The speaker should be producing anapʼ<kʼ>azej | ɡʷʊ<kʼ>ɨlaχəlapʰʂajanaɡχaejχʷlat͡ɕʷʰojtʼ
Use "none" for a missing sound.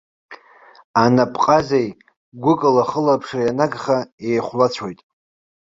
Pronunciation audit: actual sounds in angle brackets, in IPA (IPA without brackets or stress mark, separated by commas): qʼ, kʼ